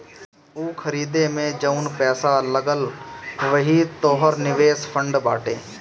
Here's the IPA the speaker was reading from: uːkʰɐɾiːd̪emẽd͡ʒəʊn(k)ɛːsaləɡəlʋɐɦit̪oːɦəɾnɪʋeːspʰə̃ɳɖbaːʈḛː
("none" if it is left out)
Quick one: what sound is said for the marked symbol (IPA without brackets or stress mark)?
p